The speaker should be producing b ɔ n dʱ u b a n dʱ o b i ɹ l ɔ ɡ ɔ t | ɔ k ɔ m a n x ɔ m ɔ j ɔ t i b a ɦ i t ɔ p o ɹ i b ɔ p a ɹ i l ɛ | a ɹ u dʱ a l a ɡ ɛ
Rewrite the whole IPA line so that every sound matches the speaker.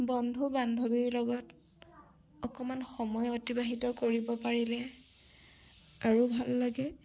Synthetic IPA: b ɔ n dʱ u b a n dʱ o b i ɹ l ɔ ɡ ɔ t | ɔ k ɔ m a n x ɔ m ɔ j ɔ t i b a ɦ i t ɔ k o ɹ i b ɔ p a ɹ i l ɛ | a ɹ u bʱ a lː a ɡ ɛ